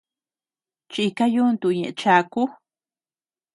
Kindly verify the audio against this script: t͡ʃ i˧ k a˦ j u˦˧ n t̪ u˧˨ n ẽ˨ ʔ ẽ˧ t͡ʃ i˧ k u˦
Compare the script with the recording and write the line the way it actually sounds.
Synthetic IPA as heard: t͡ʃ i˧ k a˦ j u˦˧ n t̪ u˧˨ ɲ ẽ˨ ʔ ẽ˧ t͡ʃ a˧ k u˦

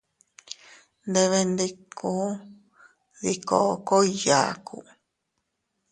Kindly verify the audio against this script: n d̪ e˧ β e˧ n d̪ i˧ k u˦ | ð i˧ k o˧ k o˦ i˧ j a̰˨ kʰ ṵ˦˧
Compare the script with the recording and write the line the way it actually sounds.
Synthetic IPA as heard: n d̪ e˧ β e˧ n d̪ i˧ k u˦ | ð i˧ k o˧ k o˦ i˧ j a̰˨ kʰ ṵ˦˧

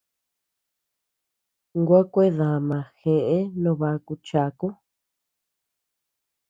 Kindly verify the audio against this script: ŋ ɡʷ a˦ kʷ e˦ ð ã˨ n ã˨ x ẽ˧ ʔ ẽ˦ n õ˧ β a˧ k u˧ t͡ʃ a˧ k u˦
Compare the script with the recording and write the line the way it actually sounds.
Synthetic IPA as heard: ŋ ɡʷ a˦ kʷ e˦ ð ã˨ m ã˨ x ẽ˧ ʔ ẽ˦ n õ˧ β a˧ k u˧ t͡ʃ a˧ k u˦

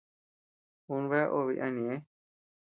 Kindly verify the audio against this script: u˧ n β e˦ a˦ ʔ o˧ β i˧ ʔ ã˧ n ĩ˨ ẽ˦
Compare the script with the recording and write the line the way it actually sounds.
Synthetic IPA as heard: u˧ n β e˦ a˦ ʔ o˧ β i˧ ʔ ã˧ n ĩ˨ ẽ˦

